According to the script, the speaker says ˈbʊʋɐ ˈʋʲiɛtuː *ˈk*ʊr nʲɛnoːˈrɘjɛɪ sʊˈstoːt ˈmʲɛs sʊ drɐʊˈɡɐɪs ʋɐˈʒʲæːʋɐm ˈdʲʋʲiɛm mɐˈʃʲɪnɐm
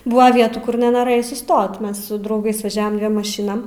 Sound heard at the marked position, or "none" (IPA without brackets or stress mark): k